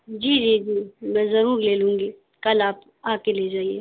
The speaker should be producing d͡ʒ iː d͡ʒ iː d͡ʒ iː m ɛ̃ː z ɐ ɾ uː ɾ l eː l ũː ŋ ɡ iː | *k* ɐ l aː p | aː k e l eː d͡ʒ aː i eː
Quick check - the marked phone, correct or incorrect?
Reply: correct